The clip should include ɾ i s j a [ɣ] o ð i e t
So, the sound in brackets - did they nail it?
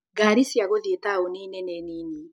yes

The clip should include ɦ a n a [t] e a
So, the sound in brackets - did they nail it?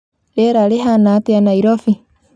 yes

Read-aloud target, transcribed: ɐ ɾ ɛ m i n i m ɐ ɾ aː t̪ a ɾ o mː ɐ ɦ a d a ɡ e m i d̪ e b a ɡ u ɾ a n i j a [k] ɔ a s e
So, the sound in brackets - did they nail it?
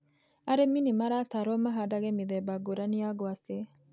no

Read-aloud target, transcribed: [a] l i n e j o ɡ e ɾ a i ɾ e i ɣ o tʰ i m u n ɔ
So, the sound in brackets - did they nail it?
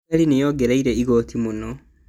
yes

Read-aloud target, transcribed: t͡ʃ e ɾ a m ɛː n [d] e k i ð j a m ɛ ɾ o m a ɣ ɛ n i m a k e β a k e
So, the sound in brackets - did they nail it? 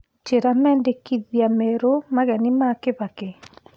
yes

